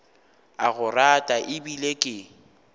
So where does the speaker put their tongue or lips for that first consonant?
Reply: velum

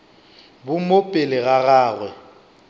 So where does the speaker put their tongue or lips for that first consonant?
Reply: lips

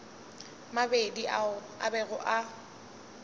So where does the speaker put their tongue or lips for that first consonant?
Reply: lips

